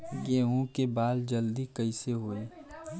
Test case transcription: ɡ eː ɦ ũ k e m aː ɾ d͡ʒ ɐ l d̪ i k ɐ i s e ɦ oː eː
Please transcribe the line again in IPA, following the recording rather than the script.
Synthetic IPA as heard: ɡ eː ɦ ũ k e b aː l d͡ʒ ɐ l d̪ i k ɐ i s e ɦ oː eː

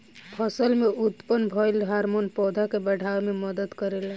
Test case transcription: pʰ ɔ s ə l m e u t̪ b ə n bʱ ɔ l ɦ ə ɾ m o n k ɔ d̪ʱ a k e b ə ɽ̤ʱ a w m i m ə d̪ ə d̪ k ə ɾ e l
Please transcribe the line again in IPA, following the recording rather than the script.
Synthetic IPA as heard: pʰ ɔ s ə l m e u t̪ p ə n bʱ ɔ l ɦ a ɾ m o n p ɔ d̪ʱ a k e b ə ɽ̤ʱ a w m e m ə d̪ ə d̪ k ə ɾ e l

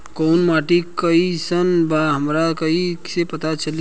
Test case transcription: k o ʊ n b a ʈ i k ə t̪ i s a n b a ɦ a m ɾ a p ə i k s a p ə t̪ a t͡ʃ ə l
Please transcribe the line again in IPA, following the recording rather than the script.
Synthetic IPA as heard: k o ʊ n m a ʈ i k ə i s ə n b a ɦ ə m ɾ a k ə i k s e p ə t̪ a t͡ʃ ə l

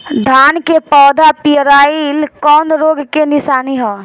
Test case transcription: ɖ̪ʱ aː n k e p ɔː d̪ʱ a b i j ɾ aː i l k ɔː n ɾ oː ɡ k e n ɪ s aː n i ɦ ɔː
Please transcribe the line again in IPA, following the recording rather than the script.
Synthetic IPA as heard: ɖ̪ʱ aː n k e p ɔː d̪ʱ a p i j ɾ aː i l k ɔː n ɾ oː ɡ k e n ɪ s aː n i ɦ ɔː

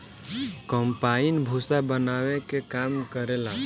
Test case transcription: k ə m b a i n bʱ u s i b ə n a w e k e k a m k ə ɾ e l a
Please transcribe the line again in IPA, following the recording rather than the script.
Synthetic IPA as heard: k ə m p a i n bʱ u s a b ə n a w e k e k a m k ə ɾ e l a

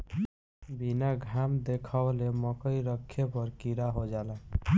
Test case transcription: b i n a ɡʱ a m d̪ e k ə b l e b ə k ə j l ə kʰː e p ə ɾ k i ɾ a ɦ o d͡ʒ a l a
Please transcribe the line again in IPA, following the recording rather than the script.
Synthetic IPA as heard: b i n a ɡʱ a m d̪ e kʰ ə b l e m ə k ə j ɾ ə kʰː e p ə ɾ k i ɾ a ɦ o d͡ʒ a l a

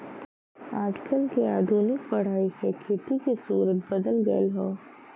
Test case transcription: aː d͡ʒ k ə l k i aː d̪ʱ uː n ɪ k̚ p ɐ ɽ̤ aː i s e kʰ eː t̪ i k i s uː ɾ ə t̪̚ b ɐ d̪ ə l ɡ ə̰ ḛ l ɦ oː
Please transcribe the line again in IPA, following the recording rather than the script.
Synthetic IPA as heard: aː d͡ʒ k ə l k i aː d̪ʱ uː n ɪ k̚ p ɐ ɽ̤ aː i s e kʰ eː t̪ i k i s uː ɾ ə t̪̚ b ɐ d̪ ə l ɡ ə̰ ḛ l ɦ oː

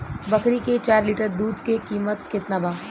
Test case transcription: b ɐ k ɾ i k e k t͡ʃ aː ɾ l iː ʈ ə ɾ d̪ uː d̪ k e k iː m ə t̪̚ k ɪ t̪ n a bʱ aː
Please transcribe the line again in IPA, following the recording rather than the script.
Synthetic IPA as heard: b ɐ k ɾ i k e t͡ʃ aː ɾ l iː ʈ ə ɾ d̪ uː d̪ k e k iː m ə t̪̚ k ɪ t̪ n a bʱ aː

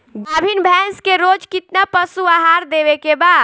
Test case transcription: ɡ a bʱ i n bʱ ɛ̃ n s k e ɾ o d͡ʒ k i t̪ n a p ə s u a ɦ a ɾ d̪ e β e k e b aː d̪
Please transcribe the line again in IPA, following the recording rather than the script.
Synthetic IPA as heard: ɡ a bʱ i n bʱ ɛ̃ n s k e ɾ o d͡ʒ k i t̪ n a p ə s u a ɦ a ɾ d̪ e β e k e b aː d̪

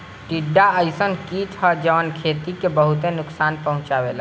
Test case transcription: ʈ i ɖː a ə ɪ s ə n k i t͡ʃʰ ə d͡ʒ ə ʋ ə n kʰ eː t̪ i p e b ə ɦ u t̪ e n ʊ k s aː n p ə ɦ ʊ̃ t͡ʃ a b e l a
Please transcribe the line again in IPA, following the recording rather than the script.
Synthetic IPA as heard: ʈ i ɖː a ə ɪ s ə n k i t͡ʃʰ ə d͡ʒ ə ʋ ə n kʰ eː t̪ i k e b ə ɦ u t̪ e n ʊ k s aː n p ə ɦ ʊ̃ t͡ʃ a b e l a

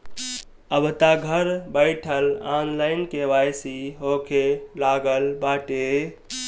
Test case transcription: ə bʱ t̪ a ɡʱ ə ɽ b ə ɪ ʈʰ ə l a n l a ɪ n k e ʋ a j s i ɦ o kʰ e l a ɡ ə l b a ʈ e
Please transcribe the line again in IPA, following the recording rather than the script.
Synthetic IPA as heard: ə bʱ t̪ a ɡʱ ə ɾ b ə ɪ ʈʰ ə l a n l a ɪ n k e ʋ a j s i ɦ o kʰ e l a ɡ ə l b a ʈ e

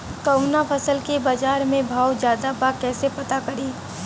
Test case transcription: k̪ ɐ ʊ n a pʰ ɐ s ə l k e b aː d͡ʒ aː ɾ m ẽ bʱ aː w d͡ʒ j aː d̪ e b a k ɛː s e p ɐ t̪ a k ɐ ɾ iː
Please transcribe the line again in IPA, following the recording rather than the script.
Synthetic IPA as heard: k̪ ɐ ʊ n a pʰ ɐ s ə l k e b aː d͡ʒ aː ɾ m ẽ bʱ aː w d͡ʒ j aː d̪ a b a k ɛː s e p ɐ t̪ a k ɐ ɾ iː

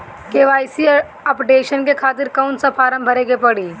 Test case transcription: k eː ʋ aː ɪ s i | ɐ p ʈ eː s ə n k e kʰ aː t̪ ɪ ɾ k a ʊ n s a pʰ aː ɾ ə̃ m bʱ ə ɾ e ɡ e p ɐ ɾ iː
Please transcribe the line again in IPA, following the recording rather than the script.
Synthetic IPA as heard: k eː ʋ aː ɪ s i | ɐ p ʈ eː ʃ ə n k e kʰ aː t̪ ɪ ɾ k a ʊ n s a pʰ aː ɾ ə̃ m bʱ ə ɾ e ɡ e p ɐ ɽ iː

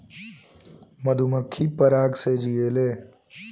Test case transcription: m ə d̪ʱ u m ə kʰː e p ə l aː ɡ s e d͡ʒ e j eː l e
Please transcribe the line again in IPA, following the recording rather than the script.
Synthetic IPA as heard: m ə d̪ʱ u m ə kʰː i p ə ɾ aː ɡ s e d͡ʒ i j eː l e

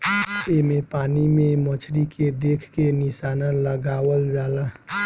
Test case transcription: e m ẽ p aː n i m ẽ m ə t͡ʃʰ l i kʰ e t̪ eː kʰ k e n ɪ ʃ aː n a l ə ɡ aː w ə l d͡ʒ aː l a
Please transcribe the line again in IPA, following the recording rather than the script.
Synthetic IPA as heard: e m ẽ p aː n i m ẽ m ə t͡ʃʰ ɾ i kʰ e d̪ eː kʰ k e n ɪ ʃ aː n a l ə ɡ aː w ə l d͡ʒ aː l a

